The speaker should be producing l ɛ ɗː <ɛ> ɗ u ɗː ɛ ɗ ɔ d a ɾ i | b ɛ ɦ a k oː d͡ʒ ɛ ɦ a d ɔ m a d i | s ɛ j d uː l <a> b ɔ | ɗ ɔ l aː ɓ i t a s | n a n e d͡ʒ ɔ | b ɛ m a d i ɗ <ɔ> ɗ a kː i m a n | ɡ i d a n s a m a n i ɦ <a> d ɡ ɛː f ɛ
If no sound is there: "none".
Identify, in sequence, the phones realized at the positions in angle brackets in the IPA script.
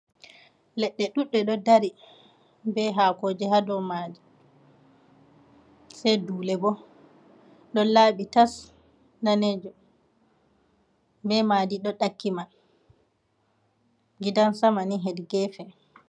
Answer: ɛ, ɛ, ɔ, ɛ

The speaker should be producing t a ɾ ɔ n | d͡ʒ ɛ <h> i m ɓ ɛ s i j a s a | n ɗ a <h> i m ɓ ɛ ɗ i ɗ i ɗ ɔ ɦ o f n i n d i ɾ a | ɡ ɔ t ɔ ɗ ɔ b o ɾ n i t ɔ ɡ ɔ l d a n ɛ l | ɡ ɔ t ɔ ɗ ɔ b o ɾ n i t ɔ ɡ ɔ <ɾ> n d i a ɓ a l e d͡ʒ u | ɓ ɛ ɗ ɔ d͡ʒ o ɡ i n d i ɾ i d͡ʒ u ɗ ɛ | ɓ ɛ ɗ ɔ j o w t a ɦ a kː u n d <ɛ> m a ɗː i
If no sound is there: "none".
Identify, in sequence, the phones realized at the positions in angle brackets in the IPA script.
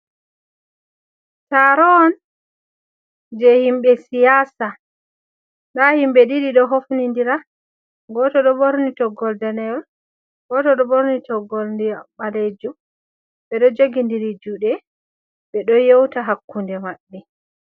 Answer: h, h, l, ɛ

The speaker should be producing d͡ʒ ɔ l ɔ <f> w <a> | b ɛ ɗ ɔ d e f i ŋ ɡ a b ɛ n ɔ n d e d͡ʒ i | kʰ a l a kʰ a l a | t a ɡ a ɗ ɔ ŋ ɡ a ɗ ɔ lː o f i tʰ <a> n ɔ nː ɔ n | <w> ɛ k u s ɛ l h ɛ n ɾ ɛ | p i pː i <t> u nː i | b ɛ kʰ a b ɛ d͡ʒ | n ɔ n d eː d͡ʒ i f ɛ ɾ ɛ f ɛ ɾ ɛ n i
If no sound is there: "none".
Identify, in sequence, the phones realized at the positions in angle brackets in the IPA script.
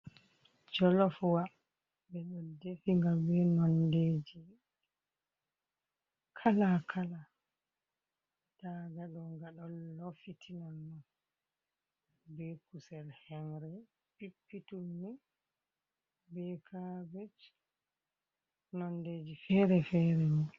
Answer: f, a, i, b, t

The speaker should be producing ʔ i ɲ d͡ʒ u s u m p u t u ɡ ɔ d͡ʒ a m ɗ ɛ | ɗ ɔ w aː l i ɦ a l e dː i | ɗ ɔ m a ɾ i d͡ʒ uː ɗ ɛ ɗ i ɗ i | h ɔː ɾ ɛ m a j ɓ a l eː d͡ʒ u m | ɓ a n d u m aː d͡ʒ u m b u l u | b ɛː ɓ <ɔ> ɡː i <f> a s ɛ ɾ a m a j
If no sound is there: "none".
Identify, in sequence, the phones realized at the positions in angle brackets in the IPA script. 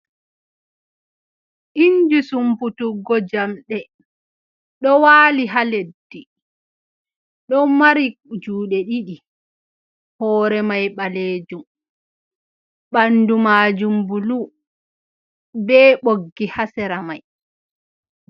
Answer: o, h

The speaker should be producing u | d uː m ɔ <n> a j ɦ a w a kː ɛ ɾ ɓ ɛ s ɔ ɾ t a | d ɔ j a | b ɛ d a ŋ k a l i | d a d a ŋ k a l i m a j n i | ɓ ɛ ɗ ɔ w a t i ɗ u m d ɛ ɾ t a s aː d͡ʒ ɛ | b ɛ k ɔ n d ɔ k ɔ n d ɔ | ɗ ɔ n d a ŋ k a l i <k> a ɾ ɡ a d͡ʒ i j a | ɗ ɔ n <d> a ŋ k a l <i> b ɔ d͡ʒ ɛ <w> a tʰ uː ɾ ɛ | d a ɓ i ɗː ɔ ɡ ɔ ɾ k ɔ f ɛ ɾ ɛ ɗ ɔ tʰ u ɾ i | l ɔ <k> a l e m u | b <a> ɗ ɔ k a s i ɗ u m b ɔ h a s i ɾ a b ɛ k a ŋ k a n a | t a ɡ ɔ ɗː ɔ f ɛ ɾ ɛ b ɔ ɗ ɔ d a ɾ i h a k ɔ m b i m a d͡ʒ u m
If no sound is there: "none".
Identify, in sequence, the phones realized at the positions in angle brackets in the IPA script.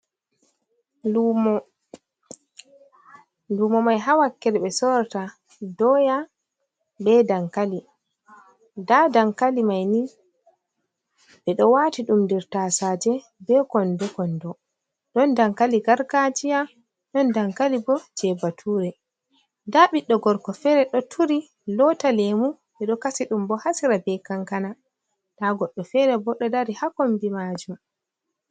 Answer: m, ɡ, d, i, b, t, ɛ

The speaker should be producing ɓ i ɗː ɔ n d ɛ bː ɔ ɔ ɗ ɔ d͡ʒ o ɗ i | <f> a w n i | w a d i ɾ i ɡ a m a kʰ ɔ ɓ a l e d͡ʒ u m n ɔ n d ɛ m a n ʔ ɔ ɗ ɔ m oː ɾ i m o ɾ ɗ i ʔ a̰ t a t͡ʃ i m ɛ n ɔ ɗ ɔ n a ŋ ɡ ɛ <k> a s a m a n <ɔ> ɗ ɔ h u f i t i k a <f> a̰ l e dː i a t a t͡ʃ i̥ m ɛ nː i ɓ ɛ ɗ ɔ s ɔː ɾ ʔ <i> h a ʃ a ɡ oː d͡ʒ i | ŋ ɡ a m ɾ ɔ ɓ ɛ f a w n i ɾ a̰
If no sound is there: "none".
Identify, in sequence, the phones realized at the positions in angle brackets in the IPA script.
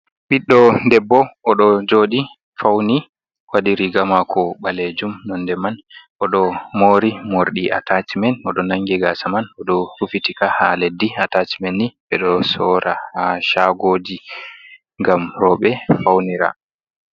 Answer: f, ɡ, ɔ, h, a

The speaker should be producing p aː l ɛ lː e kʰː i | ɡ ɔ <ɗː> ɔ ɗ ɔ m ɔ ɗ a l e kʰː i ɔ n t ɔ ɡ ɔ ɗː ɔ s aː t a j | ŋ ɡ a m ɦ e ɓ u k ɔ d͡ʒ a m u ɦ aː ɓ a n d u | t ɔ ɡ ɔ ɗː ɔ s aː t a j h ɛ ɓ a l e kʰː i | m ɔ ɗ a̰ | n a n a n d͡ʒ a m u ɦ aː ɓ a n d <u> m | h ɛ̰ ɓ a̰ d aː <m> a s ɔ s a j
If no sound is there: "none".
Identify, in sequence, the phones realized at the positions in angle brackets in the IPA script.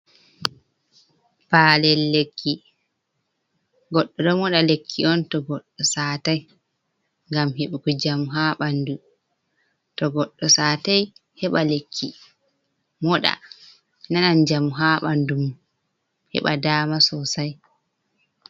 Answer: ɗː, u, m

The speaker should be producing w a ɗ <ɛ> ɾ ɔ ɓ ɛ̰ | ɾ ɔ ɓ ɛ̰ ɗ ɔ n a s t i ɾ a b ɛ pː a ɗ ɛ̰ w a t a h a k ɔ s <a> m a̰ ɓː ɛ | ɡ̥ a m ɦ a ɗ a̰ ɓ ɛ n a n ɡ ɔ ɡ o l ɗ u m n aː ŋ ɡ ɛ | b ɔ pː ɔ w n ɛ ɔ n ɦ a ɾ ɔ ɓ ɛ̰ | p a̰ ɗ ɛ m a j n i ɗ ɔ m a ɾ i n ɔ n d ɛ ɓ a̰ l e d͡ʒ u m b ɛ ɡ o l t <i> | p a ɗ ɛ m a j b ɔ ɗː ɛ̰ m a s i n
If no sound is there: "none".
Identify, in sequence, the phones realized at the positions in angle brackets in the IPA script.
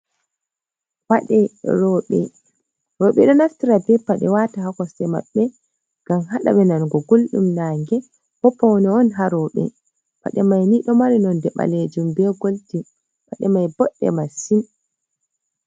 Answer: ɛ, ɛ, i

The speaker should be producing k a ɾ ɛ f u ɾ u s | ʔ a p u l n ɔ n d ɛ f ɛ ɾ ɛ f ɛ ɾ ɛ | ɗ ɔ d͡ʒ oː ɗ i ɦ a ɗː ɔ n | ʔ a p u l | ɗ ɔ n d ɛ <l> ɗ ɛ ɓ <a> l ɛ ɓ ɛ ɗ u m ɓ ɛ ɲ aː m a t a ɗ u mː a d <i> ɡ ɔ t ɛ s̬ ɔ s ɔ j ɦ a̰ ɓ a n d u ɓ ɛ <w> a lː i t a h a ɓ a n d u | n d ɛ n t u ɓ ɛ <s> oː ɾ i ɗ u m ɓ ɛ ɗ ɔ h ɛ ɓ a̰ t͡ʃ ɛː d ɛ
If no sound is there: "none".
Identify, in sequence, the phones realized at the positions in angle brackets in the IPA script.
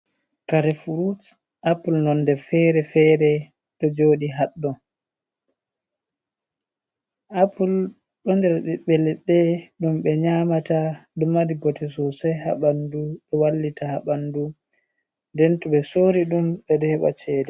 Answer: ɾ, ɛ, i, w, s

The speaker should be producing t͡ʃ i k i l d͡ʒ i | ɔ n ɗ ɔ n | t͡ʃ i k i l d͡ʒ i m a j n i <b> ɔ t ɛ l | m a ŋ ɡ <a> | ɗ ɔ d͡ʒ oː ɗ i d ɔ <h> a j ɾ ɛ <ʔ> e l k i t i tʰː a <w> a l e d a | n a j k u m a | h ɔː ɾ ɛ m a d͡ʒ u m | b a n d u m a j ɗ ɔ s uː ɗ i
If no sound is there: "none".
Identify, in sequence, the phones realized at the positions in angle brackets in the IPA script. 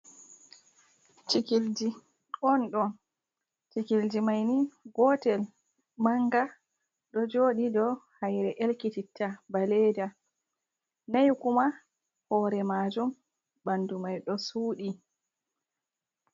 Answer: ɡ, a, h, ʔ, b

